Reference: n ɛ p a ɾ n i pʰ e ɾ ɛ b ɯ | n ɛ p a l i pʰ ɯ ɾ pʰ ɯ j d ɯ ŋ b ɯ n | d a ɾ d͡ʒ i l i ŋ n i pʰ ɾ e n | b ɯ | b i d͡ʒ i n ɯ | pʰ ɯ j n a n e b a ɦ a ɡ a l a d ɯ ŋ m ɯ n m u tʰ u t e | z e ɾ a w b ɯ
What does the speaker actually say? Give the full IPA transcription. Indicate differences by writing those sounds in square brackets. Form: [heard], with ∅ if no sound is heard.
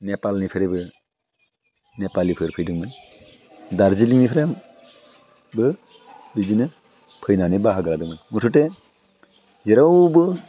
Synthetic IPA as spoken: n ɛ p a [l] n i pʰ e ɾ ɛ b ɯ | n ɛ p a l i pʰ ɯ ɾ pʰ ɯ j d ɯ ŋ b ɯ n | d a ɾ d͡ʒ i l i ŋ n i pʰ ɾ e [m] | b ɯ | b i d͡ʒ i n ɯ | pʰ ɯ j n a n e b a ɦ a ɡ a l a d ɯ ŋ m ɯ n m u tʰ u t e | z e ɾ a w b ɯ